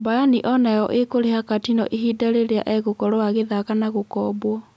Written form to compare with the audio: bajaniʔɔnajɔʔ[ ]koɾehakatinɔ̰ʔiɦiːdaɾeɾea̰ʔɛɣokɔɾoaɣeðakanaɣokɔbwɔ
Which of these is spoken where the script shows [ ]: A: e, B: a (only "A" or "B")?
A